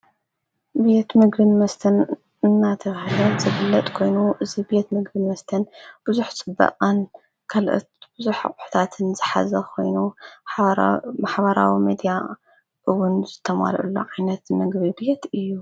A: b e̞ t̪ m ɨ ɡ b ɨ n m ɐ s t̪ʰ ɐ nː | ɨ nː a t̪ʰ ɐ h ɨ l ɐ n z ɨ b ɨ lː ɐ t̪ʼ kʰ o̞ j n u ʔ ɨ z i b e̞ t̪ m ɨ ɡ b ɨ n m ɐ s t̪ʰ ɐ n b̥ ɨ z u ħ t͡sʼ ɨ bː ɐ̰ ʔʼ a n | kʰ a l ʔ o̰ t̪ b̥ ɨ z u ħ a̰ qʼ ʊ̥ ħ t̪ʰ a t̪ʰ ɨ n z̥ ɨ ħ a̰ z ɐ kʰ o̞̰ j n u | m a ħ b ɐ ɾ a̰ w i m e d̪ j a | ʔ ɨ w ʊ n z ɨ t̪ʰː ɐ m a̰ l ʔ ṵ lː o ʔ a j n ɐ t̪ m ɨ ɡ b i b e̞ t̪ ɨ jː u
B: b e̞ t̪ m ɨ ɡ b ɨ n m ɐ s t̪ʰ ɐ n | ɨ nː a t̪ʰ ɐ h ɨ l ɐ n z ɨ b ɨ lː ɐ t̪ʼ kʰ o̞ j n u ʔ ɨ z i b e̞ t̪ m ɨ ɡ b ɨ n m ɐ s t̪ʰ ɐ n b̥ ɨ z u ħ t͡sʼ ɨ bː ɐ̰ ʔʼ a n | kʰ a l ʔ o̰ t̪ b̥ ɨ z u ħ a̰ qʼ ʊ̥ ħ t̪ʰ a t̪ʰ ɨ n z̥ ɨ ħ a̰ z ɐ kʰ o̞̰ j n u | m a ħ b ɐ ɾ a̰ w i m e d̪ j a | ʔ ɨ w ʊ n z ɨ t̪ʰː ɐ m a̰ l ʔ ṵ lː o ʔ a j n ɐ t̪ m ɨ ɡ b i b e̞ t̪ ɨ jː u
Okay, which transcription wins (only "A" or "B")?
B